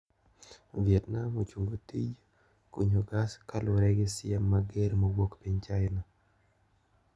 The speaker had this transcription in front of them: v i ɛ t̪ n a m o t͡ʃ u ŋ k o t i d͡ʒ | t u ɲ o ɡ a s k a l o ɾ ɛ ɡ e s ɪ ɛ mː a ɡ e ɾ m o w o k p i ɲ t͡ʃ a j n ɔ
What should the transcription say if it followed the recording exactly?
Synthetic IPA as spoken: v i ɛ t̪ n a m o t͡ʃ u ŋ ɡ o t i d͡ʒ | k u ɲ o ɡ a s k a l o ɾ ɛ ɡ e s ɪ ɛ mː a ɡ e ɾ m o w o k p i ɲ t͡ʃ a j n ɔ